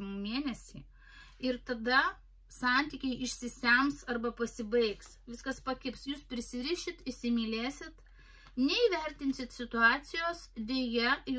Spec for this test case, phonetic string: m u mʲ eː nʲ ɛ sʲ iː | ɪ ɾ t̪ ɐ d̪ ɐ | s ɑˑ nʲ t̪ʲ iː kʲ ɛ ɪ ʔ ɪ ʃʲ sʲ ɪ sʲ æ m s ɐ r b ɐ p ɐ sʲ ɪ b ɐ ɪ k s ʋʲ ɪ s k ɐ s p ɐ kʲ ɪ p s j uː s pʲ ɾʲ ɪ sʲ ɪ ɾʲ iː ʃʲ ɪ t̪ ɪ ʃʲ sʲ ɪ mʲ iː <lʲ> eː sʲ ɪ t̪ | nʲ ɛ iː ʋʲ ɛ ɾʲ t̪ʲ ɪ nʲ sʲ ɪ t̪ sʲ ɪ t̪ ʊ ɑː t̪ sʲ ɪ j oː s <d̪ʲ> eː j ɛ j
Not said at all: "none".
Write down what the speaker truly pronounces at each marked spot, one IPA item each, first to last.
lʲ, d̪ʲ

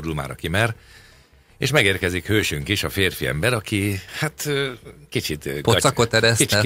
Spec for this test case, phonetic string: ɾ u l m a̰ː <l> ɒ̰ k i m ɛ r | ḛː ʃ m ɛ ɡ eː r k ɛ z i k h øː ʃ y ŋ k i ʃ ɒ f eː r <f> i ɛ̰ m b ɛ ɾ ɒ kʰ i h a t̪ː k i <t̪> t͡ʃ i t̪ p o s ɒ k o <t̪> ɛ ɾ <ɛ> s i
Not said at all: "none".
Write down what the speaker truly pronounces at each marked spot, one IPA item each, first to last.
ɾ, f, none, t̪, ɛ

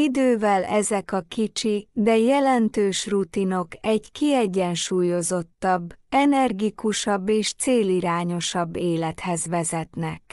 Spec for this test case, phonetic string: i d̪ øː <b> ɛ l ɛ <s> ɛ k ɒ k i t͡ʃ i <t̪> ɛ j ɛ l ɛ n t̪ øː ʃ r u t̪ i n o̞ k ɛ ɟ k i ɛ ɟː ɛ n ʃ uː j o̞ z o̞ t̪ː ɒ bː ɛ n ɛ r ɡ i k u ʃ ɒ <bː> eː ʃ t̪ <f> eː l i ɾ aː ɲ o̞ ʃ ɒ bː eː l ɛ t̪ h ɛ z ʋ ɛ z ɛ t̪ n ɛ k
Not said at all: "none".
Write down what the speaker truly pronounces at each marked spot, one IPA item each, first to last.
v, z, d̪, bː, s

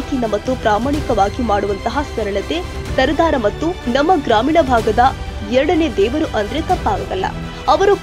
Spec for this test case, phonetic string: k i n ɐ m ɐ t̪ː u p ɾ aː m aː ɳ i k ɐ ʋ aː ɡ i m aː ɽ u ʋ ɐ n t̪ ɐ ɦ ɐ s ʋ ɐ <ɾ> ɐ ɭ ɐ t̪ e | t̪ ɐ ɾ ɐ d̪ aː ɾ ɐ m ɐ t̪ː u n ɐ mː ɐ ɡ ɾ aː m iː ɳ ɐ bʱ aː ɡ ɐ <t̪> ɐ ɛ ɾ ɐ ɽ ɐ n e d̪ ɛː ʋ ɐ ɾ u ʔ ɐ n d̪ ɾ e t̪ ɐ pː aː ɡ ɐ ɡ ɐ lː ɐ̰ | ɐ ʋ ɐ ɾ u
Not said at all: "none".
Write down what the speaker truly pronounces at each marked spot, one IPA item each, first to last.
ɾ, d̪

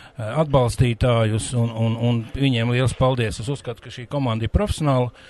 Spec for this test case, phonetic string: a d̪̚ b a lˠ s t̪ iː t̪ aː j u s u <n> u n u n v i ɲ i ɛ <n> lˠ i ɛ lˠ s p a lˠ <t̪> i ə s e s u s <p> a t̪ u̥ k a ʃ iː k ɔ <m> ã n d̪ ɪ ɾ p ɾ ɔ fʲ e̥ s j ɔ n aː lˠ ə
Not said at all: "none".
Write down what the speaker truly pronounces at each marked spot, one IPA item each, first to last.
n, m, d̪, k, m

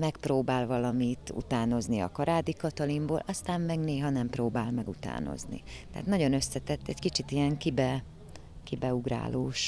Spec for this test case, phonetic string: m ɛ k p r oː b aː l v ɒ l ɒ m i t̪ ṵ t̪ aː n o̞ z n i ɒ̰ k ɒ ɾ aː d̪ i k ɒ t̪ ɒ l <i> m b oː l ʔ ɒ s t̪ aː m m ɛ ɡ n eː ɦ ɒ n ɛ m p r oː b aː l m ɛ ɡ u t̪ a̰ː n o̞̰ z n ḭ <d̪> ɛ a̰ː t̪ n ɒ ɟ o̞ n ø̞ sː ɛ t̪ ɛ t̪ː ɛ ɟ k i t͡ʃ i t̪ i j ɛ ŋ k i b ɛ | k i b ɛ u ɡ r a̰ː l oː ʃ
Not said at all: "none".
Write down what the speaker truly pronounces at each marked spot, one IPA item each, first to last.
i, t̪

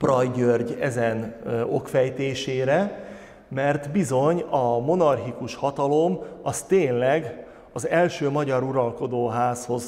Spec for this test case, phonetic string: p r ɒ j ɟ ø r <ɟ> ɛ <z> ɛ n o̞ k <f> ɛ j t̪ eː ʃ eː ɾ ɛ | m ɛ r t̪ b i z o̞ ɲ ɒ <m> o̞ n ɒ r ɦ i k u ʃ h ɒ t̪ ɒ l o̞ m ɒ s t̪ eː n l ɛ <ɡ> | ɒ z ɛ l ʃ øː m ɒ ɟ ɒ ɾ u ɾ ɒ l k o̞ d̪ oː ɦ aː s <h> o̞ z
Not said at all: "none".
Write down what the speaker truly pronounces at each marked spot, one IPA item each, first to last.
ɟ, z, f, m, ɡ, h

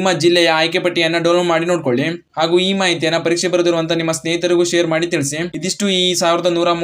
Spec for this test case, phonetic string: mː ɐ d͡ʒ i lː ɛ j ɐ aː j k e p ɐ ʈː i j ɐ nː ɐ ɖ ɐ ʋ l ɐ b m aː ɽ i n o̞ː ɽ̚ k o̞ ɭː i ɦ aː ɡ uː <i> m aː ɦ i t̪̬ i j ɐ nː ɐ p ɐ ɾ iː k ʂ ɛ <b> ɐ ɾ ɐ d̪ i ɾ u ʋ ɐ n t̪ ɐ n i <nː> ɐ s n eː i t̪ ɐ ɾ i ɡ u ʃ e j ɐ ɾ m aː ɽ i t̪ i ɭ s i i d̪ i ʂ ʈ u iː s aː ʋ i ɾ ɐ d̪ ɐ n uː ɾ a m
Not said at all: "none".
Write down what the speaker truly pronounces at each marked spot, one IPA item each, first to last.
iː, b, mː

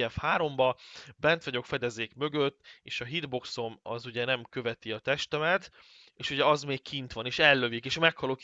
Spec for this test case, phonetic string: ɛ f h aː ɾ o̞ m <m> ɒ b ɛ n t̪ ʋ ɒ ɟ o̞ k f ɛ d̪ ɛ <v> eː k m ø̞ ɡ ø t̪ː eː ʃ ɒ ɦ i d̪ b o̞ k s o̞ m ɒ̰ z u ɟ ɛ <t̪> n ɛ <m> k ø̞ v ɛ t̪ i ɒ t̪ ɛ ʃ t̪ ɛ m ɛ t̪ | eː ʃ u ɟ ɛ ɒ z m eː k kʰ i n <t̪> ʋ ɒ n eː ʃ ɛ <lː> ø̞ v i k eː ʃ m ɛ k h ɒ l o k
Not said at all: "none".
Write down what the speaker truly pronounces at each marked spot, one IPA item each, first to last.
b, z, none, m, t̪, lː

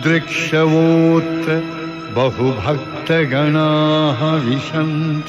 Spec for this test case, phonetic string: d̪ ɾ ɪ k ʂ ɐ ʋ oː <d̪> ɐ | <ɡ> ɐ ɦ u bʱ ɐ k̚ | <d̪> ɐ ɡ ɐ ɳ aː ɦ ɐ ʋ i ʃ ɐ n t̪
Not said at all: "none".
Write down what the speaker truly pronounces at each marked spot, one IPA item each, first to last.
t̪, b, t̪

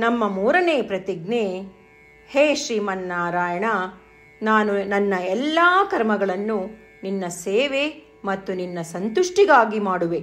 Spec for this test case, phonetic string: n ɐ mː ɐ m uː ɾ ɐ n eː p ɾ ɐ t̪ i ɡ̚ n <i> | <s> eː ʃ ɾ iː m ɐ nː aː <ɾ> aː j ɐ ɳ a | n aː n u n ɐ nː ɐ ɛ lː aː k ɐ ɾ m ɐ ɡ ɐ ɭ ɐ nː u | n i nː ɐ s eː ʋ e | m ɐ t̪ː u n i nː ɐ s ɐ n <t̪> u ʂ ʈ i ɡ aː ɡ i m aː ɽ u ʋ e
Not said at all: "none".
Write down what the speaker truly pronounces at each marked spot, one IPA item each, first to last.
e, h, ɾ, t̪

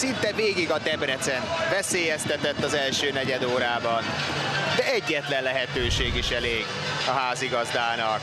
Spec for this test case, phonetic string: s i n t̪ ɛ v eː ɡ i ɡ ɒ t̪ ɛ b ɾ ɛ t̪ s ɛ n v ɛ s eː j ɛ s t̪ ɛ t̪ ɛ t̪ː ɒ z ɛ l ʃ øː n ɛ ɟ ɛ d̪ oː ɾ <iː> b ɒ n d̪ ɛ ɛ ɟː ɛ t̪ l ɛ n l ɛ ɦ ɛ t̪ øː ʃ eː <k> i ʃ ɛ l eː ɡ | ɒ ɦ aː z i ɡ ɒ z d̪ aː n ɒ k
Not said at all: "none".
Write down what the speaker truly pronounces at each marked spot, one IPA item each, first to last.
aː, ɡ

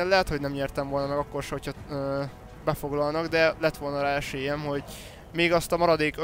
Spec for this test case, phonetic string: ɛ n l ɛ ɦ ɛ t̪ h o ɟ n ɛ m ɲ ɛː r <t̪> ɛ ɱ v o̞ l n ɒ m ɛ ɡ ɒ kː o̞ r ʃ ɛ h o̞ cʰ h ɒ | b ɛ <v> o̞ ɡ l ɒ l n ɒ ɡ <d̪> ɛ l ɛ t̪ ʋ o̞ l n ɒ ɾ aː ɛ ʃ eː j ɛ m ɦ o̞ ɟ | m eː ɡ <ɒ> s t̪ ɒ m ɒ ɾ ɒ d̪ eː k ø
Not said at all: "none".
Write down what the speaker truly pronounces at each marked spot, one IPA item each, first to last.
t̪, f, d̪, ɒ

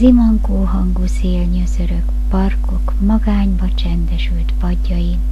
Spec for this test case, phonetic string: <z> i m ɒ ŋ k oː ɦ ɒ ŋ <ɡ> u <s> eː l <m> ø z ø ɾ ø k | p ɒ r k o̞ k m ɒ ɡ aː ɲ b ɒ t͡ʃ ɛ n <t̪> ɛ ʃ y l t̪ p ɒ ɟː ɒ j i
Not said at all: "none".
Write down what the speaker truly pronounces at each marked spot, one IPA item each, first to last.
z, ɡ, s, ɲ, d̪

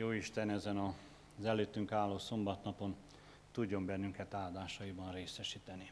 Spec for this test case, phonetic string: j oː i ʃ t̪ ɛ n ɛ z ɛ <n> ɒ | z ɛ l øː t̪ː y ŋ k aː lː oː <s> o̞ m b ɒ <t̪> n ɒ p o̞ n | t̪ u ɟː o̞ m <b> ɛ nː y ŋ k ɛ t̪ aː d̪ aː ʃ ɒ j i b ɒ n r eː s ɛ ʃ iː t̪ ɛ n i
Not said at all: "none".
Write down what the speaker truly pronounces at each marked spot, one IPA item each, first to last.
n, s, t̪, b

